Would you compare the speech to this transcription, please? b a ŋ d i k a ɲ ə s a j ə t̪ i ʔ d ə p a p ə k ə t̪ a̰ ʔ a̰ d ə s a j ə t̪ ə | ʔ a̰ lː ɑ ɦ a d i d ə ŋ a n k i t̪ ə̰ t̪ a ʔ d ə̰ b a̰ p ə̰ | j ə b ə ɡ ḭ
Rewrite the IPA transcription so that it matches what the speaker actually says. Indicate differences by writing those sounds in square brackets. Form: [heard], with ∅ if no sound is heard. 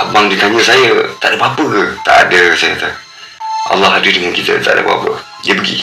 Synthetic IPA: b a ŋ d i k a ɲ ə s a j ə t̪ [a] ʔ d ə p a p ə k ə t̪ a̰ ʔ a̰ d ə s a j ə t̪ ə | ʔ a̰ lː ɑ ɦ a d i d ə ŋ a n k i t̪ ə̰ t̪ a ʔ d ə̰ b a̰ p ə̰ | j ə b ə ɡ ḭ